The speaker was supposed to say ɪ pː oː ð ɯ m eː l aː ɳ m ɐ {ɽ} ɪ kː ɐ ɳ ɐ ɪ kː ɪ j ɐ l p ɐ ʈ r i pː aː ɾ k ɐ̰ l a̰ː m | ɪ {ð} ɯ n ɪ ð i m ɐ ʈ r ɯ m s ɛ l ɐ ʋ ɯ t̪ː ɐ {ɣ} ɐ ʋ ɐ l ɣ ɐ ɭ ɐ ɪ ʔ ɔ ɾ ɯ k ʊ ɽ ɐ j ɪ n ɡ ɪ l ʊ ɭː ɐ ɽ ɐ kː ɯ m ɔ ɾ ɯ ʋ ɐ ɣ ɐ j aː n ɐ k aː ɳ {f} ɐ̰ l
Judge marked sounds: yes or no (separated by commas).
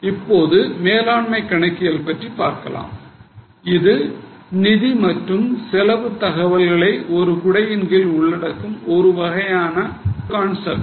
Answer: no, yes, yes, no